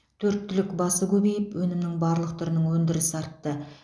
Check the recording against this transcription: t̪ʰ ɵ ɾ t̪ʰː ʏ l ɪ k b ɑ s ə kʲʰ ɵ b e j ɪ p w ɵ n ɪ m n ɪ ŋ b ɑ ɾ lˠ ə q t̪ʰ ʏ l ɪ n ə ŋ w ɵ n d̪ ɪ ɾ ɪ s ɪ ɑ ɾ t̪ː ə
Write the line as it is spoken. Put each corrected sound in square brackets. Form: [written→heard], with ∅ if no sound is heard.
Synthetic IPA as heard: t̪ʰ ɵ ɾ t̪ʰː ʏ l ɪ k b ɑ s ə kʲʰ ɵ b e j ɪ p w ɵ n ɪ m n ɪ ŋ b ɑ ɾ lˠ ə q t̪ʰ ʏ [l→ɾ] ɪ n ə ŋ w ɵ n d̪ ɪ ɾ ɪ s ɪ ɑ ɾ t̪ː ə